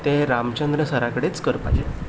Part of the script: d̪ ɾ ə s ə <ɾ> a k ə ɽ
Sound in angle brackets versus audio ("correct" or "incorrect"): correct